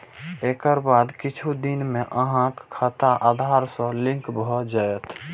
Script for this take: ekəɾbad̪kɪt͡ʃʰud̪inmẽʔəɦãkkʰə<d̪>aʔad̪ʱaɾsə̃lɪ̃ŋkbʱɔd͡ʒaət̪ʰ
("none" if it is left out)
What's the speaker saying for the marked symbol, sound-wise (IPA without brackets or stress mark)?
t̪